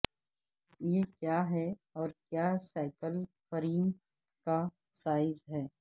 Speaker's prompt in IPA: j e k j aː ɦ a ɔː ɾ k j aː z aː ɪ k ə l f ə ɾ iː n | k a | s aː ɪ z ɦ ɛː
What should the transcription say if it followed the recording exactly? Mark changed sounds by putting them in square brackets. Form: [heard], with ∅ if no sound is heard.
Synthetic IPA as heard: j e k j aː ɦ [ɛ] ɔː ɾ k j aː [s] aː ɪ k ə l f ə ɾ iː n | k a | s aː ɪ z ɦ ɛː